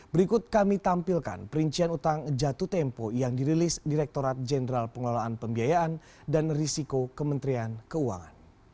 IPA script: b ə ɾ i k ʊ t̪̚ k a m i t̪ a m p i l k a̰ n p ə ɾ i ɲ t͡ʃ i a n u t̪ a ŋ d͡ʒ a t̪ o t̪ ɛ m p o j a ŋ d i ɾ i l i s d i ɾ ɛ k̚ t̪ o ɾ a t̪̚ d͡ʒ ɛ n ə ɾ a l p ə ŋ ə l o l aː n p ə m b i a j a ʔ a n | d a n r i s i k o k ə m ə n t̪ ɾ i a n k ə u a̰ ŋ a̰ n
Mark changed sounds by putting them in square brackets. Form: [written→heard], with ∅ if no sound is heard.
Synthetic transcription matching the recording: b ə ɾ i k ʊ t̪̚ k a m i t̪ a m p i l k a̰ n p ə ɾ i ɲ t͡ʃ i a n u t̪ a ŋ d͡ʒ a t̪ [o→u] t̪ ɛ m p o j a ŋ d i ɾ i l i s d i ɾ ɛ k̚ t̪ o ɾ a t̪̚ d͡ʒ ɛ n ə ɾ a l p ə ŋ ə l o l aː n p ə m b i a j a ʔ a n | d a n r i s i k o k ə m ə n t̪ ɾ i a n k ə u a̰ ŋ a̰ n

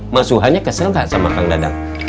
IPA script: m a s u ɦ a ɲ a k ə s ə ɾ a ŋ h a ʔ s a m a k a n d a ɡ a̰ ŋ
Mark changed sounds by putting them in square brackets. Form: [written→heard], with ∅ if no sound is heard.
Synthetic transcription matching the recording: m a s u ɦ a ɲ a k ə s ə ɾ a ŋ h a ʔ s a m a k a [n→ŋ] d a [ɡ→d] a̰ ŋ

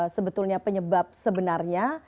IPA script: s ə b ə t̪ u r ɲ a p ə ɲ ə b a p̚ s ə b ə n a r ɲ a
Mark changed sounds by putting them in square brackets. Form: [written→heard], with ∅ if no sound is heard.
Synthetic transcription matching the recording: s ə b ə t̪ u [r→l] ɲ a p ə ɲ ə b a p̚ s ə b ə n a r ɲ a

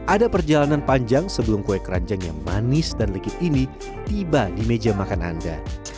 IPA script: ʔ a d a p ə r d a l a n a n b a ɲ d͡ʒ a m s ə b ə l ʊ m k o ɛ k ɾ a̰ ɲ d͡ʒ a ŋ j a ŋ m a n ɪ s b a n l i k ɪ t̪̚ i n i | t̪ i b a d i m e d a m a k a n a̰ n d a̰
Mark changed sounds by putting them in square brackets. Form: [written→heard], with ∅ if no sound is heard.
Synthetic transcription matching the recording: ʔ a d a p ə r [d→d͡ʒ] a l a n a n [b→p] a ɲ d͡ʒ a [m→ŋ] s ə b ə l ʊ m k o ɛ k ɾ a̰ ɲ d͡ʒ a ŋ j a ŋ m a n ɪ s [b→d] a n l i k ɪ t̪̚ i n i | t̪ i b a d i m e [d→d͡ʒ] a m a k a n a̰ n d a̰

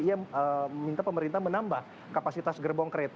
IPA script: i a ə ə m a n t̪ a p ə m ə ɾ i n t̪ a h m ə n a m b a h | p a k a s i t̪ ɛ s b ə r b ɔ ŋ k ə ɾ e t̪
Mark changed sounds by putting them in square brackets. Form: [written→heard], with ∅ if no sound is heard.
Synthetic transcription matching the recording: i a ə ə m [a→i] n t̪ a p ə m ə ɾ i n t̪ a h m ə n a m b a h | [p→k] a [k→p] a s i t̪ [ɛ→a] s [b→ɡ] ə r b ɔ ŋ k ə ɾ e t̪

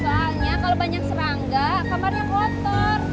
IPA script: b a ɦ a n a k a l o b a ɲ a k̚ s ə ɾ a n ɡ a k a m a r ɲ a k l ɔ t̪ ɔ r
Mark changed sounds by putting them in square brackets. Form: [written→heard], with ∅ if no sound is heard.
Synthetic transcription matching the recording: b a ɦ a [n→ɲ] a k a l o b a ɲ a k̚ s ə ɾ a [n→ŋ] ɡ a k a m a r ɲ a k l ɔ t̪ ɔ r

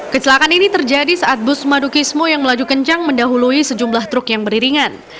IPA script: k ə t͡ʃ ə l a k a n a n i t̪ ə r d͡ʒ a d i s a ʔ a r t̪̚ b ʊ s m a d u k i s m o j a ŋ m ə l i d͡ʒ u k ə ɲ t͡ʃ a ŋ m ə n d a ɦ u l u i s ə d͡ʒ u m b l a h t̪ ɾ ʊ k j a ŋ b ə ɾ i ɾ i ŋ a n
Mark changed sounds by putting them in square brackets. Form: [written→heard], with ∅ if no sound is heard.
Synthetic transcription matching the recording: k ə t͡ʃ ə l a k a n [a→i] n i t̪ ə r d͡ʒ a d i s a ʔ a [r→∅] t̪̚ b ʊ s m a d u k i s m o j a ŋ m ə l [i→a] d͡ʒ u k ə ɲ t͡ʃ a ŋ m ə n d a ɦ u l u i s ə d͡ʒ u m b l a h t̪ ɾ ʊ k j a ŋ b ə ɾ i ɾ i ŋ a n

